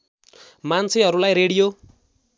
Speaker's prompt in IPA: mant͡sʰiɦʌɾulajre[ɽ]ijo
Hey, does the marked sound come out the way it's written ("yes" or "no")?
yes